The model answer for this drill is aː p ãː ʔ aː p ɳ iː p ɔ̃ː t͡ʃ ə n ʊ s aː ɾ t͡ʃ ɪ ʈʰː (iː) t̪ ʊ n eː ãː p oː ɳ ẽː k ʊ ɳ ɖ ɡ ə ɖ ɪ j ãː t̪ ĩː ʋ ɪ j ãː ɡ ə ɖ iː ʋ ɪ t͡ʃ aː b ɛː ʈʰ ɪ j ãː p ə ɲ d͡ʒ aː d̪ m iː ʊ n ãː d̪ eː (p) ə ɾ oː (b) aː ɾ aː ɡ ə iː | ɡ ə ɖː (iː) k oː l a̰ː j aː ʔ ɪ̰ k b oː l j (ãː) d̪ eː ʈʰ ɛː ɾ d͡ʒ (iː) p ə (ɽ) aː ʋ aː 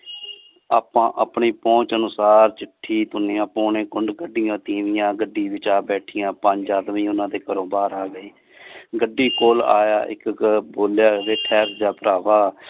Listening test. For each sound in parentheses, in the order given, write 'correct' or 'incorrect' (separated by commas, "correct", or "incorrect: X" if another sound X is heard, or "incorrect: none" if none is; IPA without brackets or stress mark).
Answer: correct, incorrect: k, correct, correct, incorrect: aː, incorrect: aː, incorrect: ɾ